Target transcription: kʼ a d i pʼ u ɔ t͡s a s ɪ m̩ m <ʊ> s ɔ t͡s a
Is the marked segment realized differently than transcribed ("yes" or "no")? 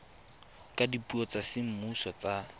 yes